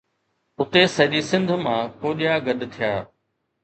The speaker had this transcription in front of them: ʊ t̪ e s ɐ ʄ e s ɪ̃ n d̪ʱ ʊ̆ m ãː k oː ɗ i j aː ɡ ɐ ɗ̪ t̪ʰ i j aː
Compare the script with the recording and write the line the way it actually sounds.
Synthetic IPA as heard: ʊ t̪ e s ɐ ʄ i s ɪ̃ n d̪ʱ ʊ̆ m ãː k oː ɗ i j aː ɡ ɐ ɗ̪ t̪ʰ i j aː